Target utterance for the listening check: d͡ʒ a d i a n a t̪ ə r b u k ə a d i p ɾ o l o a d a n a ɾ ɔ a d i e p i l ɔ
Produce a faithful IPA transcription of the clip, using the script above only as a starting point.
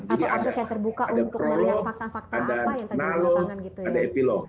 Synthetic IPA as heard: d͡ʒ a d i a d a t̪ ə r b u k a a d a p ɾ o l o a d a n a l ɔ a d a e p i l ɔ